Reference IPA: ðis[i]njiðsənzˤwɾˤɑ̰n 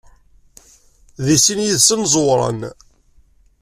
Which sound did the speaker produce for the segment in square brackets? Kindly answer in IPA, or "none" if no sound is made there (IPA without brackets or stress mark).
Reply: i